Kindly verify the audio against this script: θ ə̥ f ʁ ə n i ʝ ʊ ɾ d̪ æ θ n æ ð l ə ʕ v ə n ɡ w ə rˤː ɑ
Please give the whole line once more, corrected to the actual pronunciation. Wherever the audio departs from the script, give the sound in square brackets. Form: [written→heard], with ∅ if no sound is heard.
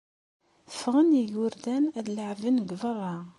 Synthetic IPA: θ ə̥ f ʁ ə n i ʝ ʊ ɾ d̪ æ [θ→∅] n æ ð l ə ʕ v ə n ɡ [w→v] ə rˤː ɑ